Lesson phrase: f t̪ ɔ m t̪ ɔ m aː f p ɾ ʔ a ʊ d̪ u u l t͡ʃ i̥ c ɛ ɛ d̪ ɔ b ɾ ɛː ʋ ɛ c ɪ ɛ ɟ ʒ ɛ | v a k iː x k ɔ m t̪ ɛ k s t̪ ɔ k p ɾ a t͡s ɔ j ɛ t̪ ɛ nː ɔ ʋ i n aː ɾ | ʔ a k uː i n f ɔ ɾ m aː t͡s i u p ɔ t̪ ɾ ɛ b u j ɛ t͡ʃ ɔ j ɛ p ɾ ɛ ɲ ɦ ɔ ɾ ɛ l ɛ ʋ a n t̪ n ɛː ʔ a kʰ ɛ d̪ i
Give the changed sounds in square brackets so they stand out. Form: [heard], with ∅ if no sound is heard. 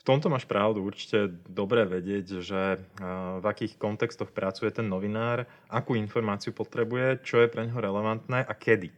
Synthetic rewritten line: f t̪ ɔ m t̪ ɔ m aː [ʃ] p ɾ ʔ a ʊ d̪ u u [ɾ] t͡ʃ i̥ c ɛ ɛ d̪ ɔ b ɾ ɛː ʋ ɛ [ɟ] ɪ ɛ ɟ ʒ ɛ | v a k iː x k ɔ [n] t̪ ɛ k s t̪ ɔ [x] p ɾ a t͡s [u] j ɛ t̪ ɛ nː ɔ ʋ i n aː ɾ | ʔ a k uː i n f ɔ ɾ m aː t͡s i u p ɔ t̪ ɾ ɛ b u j ɛ t͡ʃ ɔ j ɛ p ɾ ɛ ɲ ɦ ɔ ɾ ɛ l ɛ ʋ a n t̪ n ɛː ʔ a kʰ ɛ d̪ i